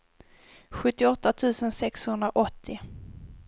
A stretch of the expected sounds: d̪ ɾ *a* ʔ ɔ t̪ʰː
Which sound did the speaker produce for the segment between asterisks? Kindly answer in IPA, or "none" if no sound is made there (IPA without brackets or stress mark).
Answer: a